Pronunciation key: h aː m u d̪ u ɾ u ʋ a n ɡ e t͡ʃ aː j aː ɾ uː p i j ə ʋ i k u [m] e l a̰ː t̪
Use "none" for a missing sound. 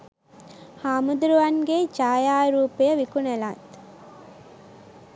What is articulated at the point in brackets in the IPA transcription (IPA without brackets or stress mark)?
n